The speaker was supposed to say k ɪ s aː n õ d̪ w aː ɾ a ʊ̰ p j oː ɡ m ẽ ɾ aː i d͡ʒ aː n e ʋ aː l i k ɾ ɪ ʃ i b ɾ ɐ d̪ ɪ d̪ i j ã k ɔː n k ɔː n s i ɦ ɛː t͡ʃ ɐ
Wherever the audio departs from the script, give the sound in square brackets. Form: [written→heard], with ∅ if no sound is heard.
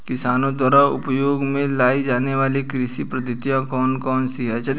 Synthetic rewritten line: k ɪ s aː n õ d̪ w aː ɾ a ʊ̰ p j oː ɡ m ẽ [ɾ→l] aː i d͡ʒ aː n e ʋ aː l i k ɾ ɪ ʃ i [b→p] ɾ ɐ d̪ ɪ [d̪→t̪] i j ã k ɔː n k ɔː n s i ɦ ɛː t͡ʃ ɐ